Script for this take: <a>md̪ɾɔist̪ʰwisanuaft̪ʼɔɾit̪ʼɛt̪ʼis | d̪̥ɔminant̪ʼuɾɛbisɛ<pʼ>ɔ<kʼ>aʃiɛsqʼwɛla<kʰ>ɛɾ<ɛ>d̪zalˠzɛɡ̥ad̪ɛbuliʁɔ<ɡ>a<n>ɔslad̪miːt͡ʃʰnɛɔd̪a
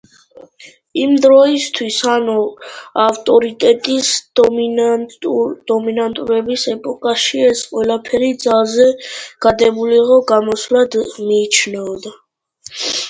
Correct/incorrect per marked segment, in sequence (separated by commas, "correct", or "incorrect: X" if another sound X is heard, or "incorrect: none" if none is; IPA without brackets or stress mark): incorrect: i, correct, correct, incorrect: pʰ, incorrect: i, correct, incorrect: m